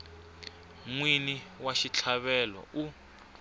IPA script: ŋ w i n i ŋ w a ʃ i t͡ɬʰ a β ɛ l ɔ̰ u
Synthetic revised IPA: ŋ w i n i w a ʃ i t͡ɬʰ a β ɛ l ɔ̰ u